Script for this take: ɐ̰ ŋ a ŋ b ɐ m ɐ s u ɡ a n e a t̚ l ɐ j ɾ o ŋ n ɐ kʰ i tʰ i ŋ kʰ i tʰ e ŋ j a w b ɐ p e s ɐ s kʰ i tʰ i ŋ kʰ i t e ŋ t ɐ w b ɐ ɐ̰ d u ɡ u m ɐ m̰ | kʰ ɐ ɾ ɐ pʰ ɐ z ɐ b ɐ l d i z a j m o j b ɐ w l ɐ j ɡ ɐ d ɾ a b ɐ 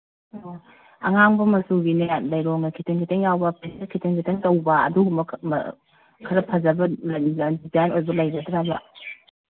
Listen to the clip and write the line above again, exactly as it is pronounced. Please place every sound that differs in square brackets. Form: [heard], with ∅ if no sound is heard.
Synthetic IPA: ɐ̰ ŋ a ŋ b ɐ m ɐ s u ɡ [i] n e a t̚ l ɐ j ɾ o ŋ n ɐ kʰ i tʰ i ŋ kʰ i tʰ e ŋ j a w b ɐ p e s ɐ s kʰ i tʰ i ŋ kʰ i t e ŋ t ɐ w b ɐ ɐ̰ d u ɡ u m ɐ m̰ | kʰ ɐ ɾ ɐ pʰ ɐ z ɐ b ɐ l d i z a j [n] o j b ɐ [∅] l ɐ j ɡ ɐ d ɾ a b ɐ